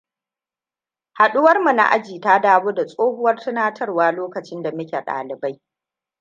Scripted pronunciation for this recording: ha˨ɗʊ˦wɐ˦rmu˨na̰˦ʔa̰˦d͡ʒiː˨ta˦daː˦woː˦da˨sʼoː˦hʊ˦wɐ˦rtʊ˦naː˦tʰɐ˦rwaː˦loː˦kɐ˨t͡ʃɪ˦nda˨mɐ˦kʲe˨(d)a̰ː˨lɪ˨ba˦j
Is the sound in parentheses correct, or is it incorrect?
incorrect